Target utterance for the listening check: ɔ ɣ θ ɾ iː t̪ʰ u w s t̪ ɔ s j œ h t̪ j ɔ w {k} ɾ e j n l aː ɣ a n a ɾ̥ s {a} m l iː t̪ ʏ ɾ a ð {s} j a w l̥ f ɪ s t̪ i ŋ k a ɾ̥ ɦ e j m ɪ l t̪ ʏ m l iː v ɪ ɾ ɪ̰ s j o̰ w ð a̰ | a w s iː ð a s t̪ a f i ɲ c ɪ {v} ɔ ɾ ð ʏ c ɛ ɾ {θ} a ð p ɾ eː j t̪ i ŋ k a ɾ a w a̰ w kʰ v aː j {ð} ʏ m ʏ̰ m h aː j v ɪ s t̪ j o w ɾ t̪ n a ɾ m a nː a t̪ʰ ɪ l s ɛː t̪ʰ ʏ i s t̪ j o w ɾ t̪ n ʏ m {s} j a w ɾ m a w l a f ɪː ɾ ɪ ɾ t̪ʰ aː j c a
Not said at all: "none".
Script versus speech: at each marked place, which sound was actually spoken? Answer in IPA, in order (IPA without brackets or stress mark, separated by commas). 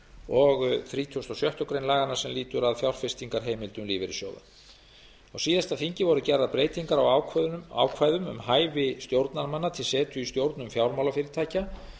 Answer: k, ɛ, f, v, ð, ð, f